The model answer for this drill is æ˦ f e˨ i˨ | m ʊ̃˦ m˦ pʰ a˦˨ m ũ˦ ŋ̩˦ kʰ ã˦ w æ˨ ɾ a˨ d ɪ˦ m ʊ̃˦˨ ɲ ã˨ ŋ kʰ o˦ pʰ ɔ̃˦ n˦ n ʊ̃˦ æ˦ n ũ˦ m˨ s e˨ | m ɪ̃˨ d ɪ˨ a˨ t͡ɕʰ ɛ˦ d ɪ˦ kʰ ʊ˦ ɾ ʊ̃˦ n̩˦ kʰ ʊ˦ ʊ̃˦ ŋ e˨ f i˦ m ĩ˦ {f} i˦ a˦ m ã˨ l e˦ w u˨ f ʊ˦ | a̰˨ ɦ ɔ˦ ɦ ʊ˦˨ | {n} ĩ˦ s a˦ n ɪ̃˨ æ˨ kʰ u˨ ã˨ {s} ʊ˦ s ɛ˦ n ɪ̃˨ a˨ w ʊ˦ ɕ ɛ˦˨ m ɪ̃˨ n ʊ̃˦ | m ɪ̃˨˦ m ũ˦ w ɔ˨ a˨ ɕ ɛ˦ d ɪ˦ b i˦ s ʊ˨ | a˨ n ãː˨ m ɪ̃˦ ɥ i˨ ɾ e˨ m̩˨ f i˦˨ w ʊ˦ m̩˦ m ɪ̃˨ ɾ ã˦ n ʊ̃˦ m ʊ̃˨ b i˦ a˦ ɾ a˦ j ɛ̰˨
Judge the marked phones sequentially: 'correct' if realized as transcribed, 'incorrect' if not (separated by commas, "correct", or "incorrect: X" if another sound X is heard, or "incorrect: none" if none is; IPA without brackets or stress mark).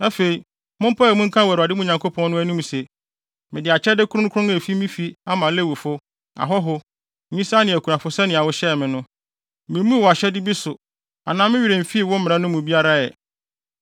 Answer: correct, incorrect: ɲ, incorrect: f